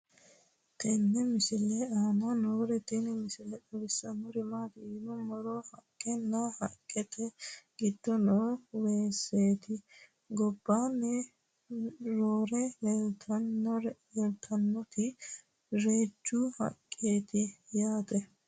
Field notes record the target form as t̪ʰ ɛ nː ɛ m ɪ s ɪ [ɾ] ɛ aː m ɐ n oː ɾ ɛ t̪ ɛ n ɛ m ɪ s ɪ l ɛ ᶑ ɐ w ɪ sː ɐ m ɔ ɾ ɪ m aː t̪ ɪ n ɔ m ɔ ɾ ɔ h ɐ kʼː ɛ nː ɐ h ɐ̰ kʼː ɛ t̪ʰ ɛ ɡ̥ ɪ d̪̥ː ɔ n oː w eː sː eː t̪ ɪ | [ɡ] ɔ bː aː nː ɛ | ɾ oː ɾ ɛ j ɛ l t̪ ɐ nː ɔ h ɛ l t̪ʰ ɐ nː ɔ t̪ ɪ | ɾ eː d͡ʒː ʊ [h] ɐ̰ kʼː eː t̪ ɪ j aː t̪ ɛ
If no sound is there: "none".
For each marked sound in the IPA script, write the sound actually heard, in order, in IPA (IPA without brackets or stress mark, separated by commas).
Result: l, ɡ, h